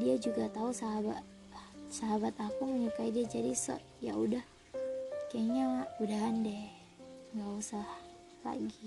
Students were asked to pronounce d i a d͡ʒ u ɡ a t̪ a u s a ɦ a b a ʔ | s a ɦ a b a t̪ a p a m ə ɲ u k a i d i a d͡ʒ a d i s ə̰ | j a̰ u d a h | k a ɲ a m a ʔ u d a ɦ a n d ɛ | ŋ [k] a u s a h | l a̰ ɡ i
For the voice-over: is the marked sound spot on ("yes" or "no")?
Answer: no